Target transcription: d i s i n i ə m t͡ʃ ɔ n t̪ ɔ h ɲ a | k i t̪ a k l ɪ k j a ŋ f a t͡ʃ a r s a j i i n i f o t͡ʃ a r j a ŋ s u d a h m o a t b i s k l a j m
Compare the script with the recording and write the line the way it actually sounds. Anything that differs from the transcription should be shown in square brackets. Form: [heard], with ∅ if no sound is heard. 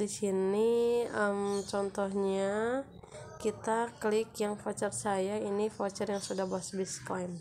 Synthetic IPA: d i s i n i ə m t͡ʃ ɔ n t̪ ɔ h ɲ a | k i t̪ a k l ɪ k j a ŋ f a t͡ʃ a r s a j [a] i n i f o t͡ʃ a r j a ŋ s u d a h [b] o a [s] b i s k l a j m

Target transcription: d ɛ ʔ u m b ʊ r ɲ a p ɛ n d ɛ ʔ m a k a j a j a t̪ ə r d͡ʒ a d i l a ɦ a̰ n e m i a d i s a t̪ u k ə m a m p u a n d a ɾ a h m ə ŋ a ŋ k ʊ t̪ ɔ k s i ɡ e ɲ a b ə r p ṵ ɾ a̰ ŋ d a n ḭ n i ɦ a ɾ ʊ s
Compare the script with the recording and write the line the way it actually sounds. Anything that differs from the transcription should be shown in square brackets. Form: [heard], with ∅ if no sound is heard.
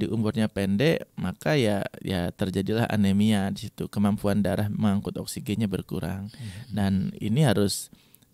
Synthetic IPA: d [i] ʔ u m b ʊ r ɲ a p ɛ n d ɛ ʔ m a k a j a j a t̪ ə r d͡ʒ a d i l a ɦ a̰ n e m i a d i s [i] t̪ u k ə m a m p u a n d a ɾ a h m ə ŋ a ŋ k ʊ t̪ ɔ k s i ɡ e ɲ a b ə r [k] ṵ ɾ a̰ ŋ d a n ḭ n i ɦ a ɾ ʊ s

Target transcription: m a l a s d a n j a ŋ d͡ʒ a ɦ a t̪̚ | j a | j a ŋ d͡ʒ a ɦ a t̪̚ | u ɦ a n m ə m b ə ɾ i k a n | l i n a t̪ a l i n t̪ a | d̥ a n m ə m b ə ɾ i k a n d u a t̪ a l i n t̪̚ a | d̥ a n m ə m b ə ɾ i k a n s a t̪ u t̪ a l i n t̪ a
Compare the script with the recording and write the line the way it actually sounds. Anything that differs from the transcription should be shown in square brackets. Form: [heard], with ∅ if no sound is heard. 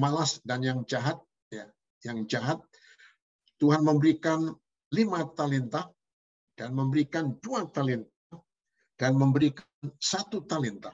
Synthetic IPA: m a l a s d a n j a ŋ d͡ʒ a ɦ a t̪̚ | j a | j a ŋ d͡ʒ a ɦ a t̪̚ | u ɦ a n m ə m b ə ɾ i k a n | l i [m] a t̪ a l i n t̪ a | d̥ a n m ə m b ə ɾ i k a n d u a t̪ a l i n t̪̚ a | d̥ a n m ə m b ə ɾ i k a n s a t̪ u t̪ a l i n t̪ a

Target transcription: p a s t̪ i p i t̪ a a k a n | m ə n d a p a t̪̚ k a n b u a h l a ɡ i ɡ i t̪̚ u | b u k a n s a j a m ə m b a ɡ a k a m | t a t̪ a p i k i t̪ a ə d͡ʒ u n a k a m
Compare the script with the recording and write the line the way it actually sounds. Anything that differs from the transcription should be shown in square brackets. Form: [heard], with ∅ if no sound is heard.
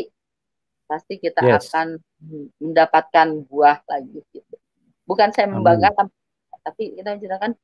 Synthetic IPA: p a s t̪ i [k] i t̪ a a k a n | m ə n d a p a t̪̚ k a n b u a h l a ɡ i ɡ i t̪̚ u | b u k a n s a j a m ə m b a ɡ a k a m | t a t̪ a p i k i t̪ a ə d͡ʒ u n a k a [n]

